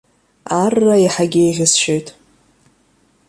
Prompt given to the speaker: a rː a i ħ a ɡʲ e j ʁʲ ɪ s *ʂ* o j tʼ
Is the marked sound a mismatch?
yes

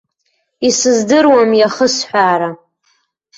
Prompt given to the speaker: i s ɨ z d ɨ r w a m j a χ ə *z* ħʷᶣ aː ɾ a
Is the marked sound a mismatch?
yes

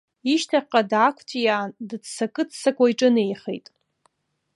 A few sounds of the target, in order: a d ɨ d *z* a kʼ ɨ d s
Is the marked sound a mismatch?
yes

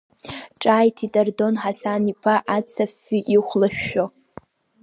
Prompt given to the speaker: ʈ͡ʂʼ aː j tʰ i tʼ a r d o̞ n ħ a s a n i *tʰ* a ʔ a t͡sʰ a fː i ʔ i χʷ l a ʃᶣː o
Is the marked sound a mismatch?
yes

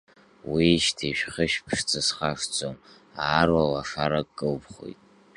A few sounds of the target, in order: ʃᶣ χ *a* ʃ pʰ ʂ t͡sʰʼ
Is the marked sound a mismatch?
yes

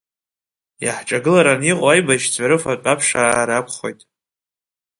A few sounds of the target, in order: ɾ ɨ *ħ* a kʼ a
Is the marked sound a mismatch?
yes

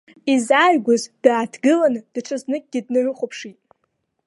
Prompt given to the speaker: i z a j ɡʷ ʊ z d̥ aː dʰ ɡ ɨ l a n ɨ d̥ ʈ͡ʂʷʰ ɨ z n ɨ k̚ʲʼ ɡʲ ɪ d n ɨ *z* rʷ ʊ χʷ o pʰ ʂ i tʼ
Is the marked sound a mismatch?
yes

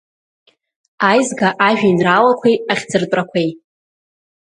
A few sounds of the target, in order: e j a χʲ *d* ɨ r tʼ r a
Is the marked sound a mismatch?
yes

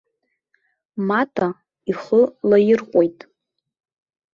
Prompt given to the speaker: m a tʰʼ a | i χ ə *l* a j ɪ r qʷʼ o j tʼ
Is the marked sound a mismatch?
no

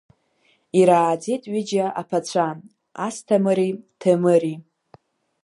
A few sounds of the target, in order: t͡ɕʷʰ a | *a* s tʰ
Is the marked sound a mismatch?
no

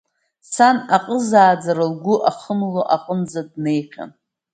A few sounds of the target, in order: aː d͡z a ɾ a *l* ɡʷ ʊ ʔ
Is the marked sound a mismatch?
no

